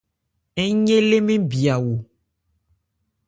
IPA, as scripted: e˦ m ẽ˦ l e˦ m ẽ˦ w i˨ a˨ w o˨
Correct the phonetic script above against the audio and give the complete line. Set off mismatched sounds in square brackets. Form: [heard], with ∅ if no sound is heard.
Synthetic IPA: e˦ [ɲ] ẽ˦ l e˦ m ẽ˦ [b] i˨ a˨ w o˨